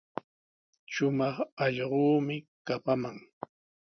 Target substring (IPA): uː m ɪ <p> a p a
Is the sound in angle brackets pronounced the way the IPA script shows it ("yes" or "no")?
no